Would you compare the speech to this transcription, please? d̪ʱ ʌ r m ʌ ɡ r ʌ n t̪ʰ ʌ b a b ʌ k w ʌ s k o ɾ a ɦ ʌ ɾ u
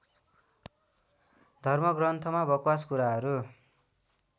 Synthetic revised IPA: d̪ʱ ʌ r m ʌ ɡ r ʌ n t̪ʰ ʌ m a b ʌ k w a s k u ɾ a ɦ ʌ ɾ u